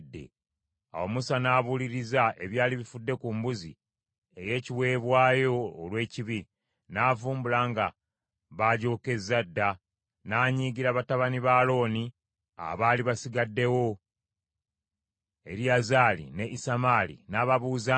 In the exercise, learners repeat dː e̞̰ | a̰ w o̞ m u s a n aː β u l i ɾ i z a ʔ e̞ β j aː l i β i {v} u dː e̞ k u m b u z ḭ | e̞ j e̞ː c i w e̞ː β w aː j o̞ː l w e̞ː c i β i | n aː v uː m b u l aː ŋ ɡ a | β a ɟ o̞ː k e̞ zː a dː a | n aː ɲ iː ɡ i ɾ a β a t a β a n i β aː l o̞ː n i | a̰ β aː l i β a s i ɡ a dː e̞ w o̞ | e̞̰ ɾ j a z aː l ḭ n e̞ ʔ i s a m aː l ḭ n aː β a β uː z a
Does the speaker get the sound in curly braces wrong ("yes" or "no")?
yes